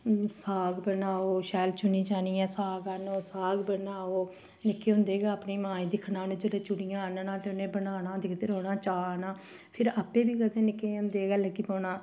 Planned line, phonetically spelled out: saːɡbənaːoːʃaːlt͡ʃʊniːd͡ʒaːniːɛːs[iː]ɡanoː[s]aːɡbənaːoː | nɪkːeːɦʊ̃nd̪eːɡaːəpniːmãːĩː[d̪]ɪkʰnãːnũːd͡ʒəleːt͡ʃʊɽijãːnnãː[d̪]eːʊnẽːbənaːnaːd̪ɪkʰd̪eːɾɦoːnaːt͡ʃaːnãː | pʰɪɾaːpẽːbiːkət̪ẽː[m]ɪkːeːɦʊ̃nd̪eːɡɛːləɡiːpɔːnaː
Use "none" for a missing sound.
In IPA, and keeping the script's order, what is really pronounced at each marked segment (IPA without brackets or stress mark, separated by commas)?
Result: aː, s, d̪, t̪, n